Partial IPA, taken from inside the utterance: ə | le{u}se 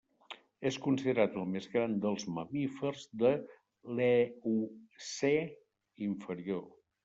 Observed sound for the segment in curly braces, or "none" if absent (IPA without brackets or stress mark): u